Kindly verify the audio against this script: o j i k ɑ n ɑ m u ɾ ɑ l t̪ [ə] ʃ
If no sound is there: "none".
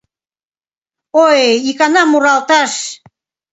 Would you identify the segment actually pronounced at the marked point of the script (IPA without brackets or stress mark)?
ɑ